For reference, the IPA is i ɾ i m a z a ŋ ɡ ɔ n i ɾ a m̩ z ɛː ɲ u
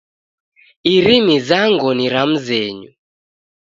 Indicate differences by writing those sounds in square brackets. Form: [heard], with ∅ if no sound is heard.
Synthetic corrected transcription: i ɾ i m [i] z a ŋ ɡ ɔ n i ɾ a m̩ z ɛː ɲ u